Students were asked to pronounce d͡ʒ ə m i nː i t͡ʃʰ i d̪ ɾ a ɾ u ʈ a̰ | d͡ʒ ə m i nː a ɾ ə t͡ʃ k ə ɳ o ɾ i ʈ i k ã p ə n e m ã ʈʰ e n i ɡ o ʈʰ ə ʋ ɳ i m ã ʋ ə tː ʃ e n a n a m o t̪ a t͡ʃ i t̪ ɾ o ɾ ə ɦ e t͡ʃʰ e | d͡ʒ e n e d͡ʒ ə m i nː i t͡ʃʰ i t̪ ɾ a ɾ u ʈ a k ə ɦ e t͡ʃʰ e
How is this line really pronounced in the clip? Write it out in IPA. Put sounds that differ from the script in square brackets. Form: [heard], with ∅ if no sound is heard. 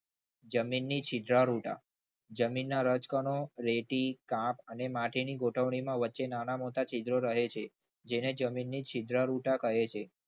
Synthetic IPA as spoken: d͡ʒ ə m i nː i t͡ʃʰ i d̪ ɾ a ɾ u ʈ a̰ | d͡ʒ ə m i nː a ɾ ə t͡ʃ k ə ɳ o ɾ [e] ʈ i k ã p ə n e m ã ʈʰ [i] n i ɡ o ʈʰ ə ʋ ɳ i m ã ʋ ə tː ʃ e n a n a m o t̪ a t͡ʃ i [d̪] ɾ o ɾ ə ɦ e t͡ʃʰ e | d͡ʒ e n e d͡ʒ ə m i nː i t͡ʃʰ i [d̪] ɾ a ɾ u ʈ a k ə ɦ e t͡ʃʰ e